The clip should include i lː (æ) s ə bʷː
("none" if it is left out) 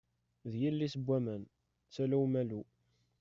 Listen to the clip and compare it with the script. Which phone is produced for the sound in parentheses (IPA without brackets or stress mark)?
i